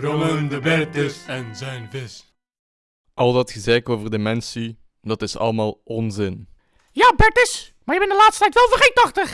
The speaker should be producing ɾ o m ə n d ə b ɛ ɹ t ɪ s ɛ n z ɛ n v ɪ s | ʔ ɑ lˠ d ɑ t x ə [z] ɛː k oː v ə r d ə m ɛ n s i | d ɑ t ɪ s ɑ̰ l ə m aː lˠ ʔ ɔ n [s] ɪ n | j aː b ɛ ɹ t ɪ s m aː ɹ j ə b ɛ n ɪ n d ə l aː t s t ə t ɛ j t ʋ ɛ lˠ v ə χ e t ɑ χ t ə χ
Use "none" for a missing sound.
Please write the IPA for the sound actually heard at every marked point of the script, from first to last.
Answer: z, z

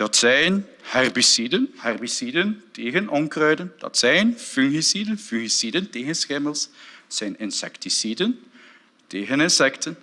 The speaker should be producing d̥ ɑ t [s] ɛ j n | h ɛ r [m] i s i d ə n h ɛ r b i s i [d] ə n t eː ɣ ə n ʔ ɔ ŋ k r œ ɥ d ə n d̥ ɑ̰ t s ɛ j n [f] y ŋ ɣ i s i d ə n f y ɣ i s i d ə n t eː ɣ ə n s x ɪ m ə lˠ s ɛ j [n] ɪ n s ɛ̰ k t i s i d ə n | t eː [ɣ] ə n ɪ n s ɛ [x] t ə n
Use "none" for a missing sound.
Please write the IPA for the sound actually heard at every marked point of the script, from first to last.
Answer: s, b, d, f, n, ɣ, k

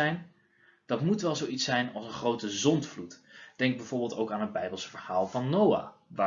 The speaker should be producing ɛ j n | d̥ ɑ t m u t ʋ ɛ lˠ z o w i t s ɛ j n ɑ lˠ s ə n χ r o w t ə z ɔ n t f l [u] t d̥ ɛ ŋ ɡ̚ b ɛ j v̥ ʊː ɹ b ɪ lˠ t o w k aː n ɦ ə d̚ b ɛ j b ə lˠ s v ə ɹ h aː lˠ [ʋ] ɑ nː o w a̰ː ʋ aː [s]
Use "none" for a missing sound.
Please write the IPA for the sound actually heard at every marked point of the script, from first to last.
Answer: u, v, none

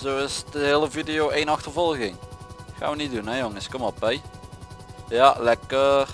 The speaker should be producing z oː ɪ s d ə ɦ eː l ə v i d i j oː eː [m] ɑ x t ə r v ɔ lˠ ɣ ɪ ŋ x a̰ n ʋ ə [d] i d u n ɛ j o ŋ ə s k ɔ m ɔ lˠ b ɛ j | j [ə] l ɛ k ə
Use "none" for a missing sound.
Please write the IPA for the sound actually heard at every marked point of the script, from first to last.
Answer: n, n, a

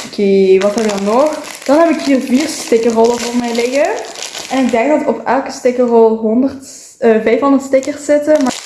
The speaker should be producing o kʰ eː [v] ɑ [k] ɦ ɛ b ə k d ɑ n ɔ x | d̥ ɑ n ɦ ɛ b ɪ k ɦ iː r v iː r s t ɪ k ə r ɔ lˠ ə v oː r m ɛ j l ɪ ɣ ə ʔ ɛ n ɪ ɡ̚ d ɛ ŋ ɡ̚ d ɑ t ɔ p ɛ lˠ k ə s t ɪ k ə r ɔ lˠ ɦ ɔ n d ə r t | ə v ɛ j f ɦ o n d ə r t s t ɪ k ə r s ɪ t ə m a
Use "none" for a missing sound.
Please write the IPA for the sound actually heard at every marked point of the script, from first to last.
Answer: ʋ, t

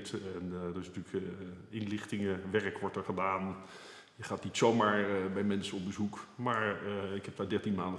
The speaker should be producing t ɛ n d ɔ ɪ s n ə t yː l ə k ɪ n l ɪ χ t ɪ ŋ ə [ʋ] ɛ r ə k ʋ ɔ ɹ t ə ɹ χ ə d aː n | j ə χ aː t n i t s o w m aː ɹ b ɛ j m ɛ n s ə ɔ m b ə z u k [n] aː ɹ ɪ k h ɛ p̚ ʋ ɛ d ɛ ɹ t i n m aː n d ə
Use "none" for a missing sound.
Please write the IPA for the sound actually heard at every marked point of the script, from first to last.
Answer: ʋ, m

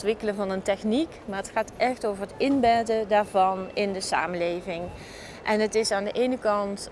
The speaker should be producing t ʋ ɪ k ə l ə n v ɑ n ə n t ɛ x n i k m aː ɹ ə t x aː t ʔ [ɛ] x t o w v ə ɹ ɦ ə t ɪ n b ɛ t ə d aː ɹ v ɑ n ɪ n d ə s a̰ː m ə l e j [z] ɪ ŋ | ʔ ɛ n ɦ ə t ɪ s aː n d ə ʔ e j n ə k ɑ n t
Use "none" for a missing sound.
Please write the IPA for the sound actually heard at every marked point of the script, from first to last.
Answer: ɛ, v

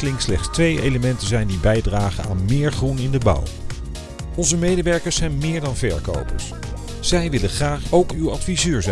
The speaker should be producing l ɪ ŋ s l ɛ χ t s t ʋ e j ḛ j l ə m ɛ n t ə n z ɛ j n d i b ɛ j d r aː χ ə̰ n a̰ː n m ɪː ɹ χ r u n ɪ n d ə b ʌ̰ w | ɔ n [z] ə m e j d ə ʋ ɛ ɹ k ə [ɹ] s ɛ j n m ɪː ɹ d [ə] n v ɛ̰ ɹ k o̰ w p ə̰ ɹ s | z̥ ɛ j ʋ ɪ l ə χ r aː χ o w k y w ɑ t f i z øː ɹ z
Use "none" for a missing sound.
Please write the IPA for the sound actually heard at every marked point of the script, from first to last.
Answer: z, ɹ, ɑ

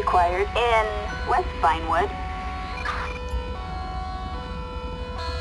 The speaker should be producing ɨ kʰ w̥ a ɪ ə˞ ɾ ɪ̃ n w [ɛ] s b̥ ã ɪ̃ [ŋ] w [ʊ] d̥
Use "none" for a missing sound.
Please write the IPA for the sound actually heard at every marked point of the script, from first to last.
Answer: ɛ, n, ʊ

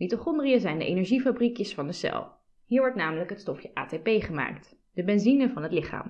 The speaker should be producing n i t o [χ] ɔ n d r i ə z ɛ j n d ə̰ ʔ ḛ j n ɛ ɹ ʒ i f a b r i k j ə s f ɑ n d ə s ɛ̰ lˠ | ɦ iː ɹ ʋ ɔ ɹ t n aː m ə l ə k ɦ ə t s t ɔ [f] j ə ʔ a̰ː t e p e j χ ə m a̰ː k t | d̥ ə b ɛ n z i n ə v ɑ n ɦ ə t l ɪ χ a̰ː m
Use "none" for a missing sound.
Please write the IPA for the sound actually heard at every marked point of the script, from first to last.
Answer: χ, f

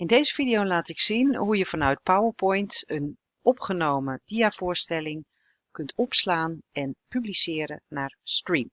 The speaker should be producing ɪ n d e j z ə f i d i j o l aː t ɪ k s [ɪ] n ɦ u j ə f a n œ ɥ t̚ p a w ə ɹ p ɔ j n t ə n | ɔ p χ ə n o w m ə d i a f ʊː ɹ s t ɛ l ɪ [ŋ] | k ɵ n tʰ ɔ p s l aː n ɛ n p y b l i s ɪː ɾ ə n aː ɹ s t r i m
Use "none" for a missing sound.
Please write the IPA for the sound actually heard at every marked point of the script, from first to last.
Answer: i, ŋ

